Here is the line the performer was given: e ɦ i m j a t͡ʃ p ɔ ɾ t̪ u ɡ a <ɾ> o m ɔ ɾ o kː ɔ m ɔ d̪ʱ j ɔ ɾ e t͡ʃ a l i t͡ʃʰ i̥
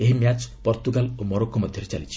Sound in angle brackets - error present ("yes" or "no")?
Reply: yes